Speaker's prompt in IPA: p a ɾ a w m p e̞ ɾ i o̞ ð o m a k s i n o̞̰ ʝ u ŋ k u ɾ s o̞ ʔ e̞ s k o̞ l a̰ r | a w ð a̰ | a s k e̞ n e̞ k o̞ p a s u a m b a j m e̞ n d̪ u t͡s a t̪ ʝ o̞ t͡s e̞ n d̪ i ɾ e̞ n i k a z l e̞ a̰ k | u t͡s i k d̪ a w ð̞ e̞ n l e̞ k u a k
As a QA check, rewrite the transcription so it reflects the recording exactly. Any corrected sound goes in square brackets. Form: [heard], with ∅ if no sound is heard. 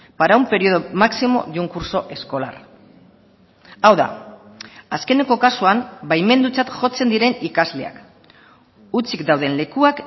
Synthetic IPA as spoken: p a ɾ a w m p e̞ ɾ i o̞ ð o m a k s i [m] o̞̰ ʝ u ŋ k u ɾ s o̞ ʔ e̞ s k o̞ l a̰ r | a w ð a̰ | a s k e̞ n e̞ k o̞ [k] a s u a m b a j m e̞ n d̪ u t͡s a t̪ ʝ o̞ t͡s e̞ n d̪ i ɾ e̞ n i k a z l e̞ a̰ k | u t͡s i k d̪ a w ð̞ e̞ n l e̞ k u a k

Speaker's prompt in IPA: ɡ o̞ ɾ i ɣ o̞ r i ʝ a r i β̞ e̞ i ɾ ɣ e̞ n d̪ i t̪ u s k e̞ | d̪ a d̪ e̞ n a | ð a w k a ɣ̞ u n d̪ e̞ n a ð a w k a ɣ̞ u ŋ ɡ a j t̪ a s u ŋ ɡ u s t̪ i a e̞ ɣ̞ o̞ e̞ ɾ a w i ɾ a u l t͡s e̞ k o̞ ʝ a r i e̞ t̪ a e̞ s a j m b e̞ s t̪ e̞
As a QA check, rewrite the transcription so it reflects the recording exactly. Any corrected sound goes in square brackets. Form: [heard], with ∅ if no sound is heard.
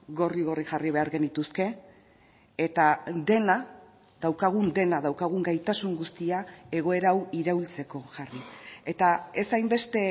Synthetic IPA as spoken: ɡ o̞ [r] i ɣ o̞ r i ʝ a r i β̞ e̞ [a] ɾ ɣ e̞ n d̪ i t̪ u s k e̞ | [t̪] a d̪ e̞ n a | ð a w k a ɣ̞ u n d̪ e̞ n a ð a w k a ɣ̞ u ŋ ɡ a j t̪ a s u ŋ ɡ u s t̪ i a e̞ ɣ̞ o̞ e̞ ɾ a w i ɾ a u l t͡s e̞ k o̞ ʝ a r i e̞ t̪ a e̞ s a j m b e̞ s t̪ e̞

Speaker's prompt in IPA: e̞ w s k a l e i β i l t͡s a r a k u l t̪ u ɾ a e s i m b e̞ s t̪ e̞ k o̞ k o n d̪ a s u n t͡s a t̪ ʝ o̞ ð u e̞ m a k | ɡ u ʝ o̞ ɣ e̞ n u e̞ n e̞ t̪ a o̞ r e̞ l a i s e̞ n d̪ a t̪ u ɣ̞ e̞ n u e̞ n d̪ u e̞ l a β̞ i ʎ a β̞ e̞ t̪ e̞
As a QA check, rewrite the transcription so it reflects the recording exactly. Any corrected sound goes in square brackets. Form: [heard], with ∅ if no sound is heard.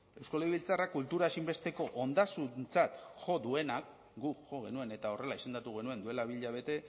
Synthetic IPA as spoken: e̞ w s k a l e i β i l t͡s a r a k u l t̪ u ɾ a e s i m b e̞ s t̪ e̞ k o̞ [ʔ] o n d̪ a s u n t͡s a t̪ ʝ o̞ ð u e̞ [n] a k | ɡ u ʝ o̞ ɣ e̞ n u e̞ n e̞ t̪ a o̞ r e̞ l a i s e̞ n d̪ a t̪ u ɣ̞ e̞ n u e̞ n d̪ u e̞ l a β̞ i ʎ a β̞ e̞ t̪ e̞

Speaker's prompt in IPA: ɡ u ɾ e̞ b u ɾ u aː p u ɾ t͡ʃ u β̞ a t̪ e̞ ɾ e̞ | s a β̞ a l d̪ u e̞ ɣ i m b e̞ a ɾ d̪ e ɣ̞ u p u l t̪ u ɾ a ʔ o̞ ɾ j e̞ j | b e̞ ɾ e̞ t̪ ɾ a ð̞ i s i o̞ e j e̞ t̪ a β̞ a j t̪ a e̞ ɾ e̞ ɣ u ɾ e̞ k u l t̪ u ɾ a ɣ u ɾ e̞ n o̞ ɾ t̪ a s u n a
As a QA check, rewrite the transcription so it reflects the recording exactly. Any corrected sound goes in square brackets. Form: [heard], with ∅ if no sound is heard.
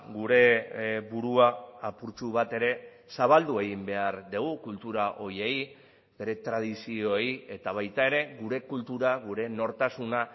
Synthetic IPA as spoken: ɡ u ɾ e̞ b u ɾ u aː p u ɾ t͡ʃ u β̞ a t̪ e̞ ɾ e̞ | s a β̞ a l d̪ u e̞ ɣ i m b e̞ a ɾ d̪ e ɣ̞ u [k] u l t̪ u ɾ a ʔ o̞ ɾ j e̞ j | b e̞ ɾ e̞ t̪ ɾ a ð̞ i s i o̞ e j e̞ t̪ a β̞ a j t̪ a e̞ ɾ e̞ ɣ u ɾ e̞ k u l t̪ u ɾ a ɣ u ɾ e̞ n o̞ ɾ t̪ a s u n a

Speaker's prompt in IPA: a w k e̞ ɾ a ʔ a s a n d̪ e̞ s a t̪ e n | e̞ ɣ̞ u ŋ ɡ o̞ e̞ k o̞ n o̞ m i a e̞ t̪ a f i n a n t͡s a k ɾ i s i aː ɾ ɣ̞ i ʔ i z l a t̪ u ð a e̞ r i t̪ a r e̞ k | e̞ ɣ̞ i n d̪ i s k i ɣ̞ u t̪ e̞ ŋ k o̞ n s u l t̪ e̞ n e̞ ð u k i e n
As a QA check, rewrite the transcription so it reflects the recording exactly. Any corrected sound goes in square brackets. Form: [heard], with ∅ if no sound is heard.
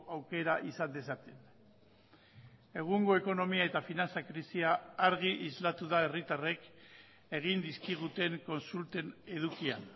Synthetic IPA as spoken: a w k e̞ ɾ a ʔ [i] s a n d̪ e̞ s a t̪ e n | e̞ ɣ̞ u ŋ ɡ o̞ e̞ k o̞ n o̞ m i a e̞ t̪ a f i n a n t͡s a k ɾ i s i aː ɾ ɣ̞ i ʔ i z l a t̪ u ð a e̞ r i t̪ a r e̞ k | e̞ ɣ̞ i n d̪ i s k i ɣ̞ u t̪ e̞ ŋ k o̞ n s u l t̪ e̞ n e̞ ð u k i [a] n

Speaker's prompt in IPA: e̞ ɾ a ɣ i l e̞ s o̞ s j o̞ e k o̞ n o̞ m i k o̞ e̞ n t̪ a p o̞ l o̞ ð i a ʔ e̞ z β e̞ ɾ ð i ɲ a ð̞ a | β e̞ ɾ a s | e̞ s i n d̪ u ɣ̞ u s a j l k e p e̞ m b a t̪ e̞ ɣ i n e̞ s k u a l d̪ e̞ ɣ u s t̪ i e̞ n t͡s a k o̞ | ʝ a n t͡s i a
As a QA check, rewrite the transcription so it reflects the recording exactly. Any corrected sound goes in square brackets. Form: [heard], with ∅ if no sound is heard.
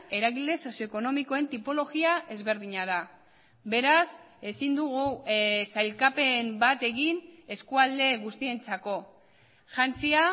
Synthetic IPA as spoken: e̞ ɾ a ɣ i l e̞ s o̞ s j o̞ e k o̞ n o̞ m i k o̞ e̞ n t̪ [i] p o̞ l o̞ [ɣ] i a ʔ e̞ z β e̞ ɾ ð i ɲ a ð̞ a | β e̞ ɾ a s | e̞ s i n d̪ u ɣ̞ u s a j l k [a] p e̞ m b a t̪ e̞ ɣ i n e̞ s k u a l d̪ e̞ ɣ u s t̪ i e̞ n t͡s a k o̞ | ʝ a n t͡s i a

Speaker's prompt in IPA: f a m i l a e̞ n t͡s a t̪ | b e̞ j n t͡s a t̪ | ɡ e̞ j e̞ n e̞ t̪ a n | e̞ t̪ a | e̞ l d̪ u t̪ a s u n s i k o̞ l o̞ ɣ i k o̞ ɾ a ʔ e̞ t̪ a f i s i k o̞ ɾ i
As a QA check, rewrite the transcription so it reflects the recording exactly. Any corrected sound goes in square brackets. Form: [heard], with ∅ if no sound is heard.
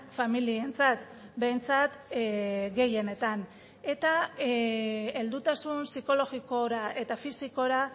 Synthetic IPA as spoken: f a m i l [i] e̞ n t͡s a t̪ | b e̞ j n t͡s a t̪ | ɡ e̞ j e̞ n e̞ t̪ a n | e̞ t̪ a | e̞ l d̪ u t̪ a s u n s i k o̞ l o̞ ɣ i k o̞ ɾ a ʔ e̞ t̪ a f i s i k o̞ ɾ [a]

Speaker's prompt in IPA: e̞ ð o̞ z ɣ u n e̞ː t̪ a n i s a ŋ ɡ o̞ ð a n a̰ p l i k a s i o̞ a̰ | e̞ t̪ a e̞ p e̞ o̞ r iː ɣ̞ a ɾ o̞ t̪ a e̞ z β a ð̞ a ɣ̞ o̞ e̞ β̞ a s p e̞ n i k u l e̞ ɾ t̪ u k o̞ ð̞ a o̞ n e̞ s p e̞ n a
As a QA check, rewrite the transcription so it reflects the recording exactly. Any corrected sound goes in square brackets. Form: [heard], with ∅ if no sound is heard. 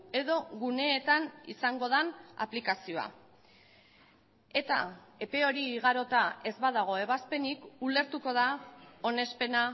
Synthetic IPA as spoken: e̞ ð o̞ [∅] ɣ u n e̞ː t̪ a n i s a ŋ ɡ o̞ ð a n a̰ p l i k a s i o̞ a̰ | e̞ t̪ a e̞ p e̞ o̞ [ɾ] iː ɣ̞ a ɾ o̞ t̪ a e̞ z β a ð̞ a ɣ̞ o̞ e̞ β̞ a s p e̞ n i k u l e̞ ɾ t̪ u k o̞ ð̞ a o̞ n e̞ s p e̞ n a

